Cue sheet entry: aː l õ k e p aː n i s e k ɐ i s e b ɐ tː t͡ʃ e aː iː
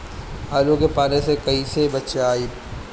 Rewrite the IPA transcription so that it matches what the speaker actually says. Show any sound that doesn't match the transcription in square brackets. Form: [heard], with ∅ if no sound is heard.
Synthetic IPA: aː l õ k e p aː n [e] s e k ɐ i s e b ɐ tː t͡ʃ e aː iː